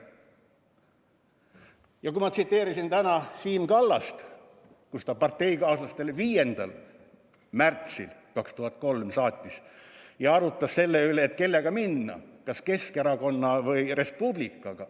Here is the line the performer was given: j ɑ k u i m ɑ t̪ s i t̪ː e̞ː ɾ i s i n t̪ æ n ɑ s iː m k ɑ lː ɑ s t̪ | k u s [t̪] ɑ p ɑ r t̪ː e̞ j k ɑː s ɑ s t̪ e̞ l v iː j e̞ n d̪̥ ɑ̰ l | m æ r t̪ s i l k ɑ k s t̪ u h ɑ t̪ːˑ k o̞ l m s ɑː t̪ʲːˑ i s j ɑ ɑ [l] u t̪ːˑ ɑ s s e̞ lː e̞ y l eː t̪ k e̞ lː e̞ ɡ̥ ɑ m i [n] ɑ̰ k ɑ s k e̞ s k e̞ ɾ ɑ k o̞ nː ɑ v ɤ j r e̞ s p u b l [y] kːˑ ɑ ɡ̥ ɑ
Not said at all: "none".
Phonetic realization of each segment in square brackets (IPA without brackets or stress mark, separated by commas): t̪, ɾ, nː, i